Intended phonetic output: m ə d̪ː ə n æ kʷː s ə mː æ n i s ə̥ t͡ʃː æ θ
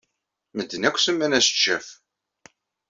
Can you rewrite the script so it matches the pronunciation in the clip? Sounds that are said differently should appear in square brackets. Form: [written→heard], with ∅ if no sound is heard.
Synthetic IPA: m ə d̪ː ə n æ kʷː s ə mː æ n [i→æ] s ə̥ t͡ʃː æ [θ→f]